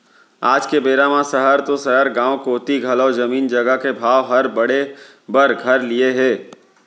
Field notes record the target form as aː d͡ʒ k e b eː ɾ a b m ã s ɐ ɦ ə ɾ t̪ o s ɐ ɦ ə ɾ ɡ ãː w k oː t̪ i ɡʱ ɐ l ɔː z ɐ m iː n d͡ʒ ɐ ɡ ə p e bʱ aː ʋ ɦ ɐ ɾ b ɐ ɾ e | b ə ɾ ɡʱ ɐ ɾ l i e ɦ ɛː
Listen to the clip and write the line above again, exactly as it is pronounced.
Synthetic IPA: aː d͡ʒ k e b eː ɾ a m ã s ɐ ɦ ə ɾ t̪ o s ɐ ɦ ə ɾ ɡ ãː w k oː t̪ i ɡʱ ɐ l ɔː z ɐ m iː n d͡ʒ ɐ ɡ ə k e bʱ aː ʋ ɦ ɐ ɾ b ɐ ɽ e | b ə ɾ ɡʱ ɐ ɾ l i e ɦ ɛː